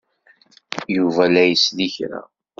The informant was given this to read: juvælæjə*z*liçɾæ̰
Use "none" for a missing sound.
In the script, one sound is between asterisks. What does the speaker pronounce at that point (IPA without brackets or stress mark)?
s